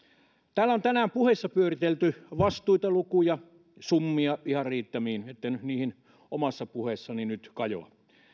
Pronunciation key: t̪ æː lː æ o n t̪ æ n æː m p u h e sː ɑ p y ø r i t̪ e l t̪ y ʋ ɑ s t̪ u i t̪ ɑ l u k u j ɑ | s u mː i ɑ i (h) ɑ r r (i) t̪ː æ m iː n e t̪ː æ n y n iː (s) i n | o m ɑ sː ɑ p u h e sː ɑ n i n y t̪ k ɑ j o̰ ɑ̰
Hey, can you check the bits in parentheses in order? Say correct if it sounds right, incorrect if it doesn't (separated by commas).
correct, incorrect, incorrect